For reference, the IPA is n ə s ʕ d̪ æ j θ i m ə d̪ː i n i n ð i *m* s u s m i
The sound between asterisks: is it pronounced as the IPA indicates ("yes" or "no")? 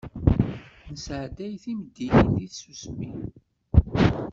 no